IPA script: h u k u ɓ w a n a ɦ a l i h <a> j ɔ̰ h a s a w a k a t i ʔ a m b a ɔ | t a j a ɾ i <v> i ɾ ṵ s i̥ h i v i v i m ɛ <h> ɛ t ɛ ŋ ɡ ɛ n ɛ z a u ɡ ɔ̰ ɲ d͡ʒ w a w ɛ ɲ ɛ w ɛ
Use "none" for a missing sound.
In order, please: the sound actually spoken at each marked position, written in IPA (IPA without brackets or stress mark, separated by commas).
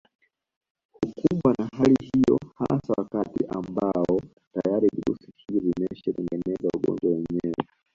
i, v, ʃ